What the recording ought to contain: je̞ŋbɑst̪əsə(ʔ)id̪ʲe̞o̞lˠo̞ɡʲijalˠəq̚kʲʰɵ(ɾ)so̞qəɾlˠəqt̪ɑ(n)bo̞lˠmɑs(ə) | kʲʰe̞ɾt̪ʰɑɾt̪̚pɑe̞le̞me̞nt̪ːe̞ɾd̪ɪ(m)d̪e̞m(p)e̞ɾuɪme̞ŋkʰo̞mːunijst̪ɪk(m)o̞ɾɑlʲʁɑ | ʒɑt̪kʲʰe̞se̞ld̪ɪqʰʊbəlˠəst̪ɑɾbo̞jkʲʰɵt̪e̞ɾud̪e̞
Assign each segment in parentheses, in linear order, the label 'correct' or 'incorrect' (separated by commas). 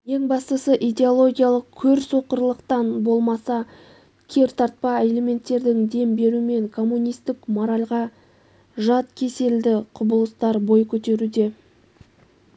correct, correct, correct, incorrect, incorrect, incorrect, correct